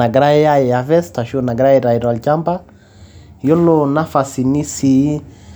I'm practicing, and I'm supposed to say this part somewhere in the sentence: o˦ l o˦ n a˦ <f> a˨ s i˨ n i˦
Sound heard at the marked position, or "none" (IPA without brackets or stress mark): f